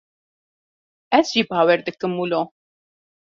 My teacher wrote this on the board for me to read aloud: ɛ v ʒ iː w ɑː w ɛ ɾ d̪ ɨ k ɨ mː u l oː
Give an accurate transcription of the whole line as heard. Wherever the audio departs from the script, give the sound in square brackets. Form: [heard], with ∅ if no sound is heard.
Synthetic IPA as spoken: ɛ [z] ʒ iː [b] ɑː w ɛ ɾ d̪ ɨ k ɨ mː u l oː